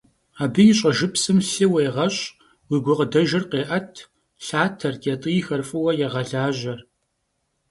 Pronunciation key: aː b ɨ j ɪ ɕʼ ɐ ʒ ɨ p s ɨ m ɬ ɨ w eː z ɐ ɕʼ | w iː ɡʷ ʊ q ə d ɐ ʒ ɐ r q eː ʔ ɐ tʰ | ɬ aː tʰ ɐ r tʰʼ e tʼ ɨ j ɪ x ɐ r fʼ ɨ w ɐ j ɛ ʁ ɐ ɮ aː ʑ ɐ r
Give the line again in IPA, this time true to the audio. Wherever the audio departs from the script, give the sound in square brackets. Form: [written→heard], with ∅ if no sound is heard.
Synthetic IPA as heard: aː b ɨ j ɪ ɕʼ ɐ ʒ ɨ p s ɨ m ɬ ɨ w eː [z→ʁ] ɐ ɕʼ | w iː ɡʷ ʊ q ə d ɐ ʒ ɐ r q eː ʔ ɐ tʰ | ɬ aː tʰ ɐ r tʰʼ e tʼ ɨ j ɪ x ɐ r fʼ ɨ w ɐ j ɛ ʁ ɐ ɮ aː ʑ ɐ r